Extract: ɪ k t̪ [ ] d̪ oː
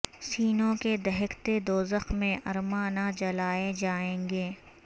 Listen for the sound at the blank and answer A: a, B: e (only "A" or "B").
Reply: B